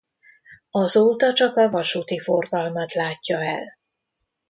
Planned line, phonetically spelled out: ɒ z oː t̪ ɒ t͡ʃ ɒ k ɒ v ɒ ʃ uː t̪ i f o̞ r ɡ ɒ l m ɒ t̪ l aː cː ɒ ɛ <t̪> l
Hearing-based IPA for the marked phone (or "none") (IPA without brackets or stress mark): none